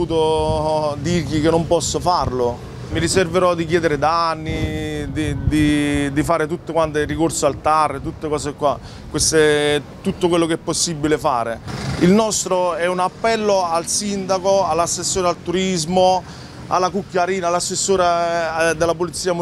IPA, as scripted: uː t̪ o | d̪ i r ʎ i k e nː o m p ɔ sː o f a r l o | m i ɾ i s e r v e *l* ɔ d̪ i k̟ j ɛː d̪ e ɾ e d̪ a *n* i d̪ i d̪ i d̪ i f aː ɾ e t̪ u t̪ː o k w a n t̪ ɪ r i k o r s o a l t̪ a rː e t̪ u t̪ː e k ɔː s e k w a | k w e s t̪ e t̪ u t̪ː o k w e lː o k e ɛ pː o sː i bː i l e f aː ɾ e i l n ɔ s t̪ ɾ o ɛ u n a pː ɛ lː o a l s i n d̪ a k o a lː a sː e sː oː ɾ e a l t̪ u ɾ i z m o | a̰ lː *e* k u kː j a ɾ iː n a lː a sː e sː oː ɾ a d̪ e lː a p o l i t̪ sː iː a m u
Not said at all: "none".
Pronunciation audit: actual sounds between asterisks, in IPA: ɾ, nː, a

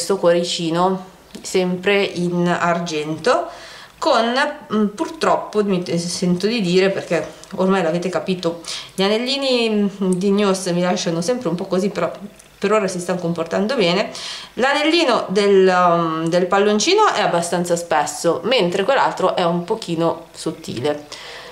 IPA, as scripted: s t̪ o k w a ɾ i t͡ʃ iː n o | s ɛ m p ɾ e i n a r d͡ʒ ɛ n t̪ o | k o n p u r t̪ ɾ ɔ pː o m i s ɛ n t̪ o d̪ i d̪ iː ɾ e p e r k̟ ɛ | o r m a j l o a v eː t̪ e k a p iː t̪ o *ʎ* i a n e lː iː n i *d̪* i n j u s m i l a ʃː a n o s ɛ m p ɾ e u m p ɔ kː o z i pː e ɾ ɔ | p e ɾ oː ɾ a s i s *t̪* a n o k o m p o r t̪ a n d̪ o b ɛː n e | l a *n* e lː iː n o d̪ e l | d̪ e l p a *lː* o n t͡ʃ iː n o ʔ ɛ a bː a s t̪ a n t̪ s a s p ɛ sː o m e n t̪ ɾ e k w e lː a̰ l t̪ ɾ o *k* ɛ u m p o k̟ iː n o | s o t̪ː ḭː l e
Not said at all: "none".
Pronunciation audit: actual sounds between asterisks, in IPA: ʎ, d̪, t̪, n, lː, ʔ

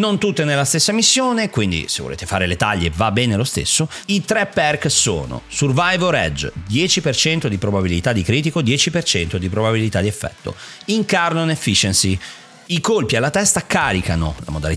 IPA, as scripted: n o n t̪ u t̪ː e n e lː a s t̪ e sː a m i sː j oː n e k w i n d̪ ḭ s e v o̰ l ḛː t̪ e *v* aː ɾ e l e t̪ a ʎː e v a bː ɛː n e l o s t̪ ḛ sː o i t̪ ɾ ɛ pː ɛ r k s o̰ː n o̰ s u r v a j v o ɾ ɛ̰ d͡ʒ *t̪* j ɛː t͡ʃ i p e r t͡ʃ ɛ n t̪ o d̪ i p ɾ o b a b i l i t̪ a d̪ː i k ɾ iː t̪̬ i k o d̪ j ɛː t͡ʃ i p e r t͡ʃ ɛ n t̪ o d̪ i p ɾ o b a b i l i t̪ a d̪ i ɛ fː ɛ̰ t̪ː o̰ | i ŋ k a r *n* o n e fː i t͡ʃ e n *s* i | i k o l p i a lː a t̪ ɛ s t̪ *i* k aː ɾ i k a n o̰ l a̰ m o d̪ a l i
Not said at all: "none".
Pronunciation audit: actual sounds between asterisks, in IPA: f, d̪, n, s, a

